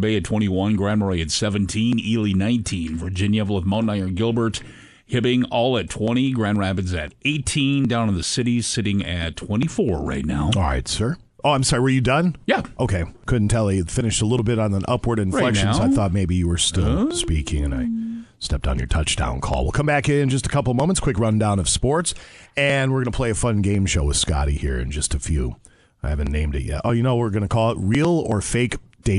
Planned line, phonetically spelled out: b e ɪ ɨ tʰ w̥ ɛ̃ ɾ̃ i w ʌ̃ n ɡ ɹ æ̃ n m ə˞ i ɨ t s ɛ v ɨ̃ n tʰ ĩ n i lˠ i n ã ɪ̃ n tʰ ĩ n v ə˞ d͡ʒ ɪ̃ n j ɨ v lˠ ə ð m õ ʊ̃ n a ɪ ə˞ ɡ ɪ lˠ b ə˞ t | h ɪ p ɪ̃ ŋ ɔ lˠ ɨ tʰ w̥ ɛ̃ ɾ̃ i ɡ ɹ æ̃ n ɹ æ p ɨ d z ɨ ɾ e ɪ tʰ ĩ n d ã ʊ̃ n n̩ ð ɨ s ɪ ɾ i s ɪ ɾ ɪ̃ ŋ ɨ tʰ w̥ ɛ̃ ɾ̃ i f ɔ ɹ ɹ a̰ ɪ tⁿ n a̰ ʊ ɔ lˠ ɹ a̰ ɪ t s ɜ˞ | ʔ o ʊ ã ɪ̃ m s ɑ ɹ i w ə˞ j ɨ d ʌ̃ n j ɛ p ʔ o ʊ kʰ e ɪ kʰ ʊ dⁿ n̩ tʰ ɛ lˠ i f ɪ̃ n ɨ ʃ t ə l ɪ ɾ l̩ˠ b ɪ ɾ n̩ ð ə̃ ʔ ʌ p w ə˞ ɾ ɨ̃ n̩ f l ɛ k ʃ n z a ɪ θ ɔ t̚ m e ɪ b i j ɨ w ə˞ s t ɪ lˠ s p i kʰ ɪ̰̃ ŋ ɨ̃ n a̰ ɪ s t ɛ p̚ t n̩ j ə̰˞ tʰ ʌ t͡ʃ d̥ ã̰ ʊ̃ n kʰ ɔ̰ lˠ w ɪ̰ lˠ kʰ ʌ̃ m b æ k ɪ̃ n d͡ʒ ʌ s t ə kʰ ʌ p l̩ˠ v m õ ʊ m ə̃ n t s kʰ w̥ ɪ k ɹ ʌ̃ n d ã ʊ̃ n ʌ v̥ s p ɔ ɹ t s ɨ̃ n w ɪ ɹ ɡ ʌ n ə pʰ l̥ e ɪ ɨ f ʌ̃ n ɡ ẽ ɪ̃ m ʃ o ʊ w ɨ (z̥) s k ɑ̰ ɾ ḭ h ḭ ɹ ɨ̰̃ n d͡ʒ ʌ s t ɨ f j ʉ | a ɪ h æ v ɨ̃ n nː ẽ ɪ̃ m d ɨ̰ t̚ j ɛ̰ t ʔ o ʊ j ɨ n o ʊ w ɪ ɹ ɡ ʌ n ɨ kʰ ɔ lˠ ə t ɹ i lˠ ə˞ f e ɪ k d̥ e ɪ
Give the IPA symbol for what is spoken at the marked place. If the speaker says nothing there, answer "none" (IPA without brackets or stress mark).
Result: ð̥